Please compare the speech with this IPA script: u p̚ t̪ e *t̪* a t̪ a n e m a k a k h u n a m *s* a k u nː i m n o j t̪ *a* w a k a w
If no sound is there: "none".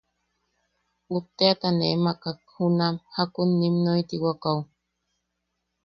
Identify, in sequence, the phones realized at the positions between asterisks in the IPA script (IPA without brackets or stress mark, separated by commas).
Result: none, h, i